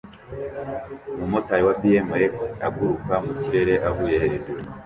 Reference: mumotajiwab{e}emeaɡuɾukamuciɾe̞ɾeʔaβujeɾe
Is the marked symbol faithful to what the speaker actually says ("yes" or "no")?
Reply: no